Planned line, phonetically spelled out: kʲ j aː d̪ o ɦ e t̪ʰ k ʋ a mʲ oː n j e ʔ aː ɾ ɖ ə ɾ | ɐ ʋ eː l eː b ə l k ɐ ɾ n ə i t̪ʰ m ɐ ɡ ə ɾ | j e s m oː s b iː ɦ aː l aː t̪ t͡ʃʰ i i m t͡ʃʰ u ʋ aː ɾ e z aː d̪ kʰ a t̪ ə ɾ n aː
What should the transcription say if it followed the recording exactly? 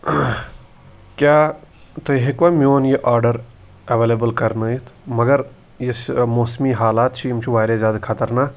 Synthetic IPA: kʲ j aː t̪ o ɦ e k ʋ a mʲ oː n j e ʔ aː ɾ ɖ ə ɾ | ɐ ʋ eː l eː b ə l k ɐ ɾ n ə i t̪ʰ m ɐ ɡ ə ɾ | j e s m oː s m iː ɦ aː l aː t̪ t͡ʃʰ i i m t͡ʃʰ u ʋ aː ɾ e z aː d̪ kʰ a t̪ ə ɾ n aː

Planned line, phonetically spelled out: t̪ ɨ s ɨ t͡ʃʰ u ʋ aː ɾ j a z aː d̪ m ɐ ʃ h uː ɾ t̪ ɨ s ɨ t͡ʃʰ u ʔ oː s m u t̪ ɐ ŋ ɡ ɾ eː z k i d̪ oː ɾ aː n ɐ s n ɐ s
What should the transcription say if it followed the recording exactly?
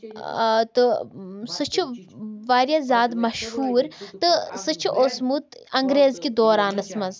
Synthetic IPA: t̪ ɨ s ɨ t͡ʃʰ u ʋ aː ɾ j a z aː d̪ m ɐ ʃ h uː ɾ t̪ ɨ s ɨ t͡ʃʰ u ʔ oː s m u t̪ ɐ ŋ ɡ ɾ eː z k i d̪ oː ɾ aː n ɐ s m ɐ z

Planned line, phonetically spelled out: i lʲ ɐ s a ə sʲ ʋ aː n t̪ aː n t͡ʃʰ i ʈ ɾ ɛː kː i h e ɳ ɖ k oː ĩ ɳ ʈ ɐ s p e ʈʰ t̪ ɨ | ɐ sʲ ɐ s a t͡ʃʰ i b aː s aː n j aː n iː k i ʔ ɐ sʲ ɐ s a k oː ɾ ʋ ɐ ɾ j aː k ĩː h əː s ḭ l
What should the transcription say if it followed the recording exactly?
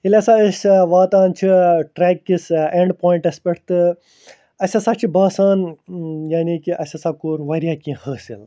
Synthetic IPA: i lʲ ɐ s a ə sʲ ʋ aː t̪ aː n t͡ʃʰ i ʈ ɾ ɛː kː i s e ɳ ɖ p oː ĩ ɳ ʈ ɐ s p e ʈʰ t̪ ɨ | ɐ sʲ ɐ s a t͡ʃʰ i b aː s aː n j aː n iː k i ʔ ɐ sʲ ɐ s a k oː ɾ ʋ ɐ ɾ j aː k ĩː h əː s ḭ l

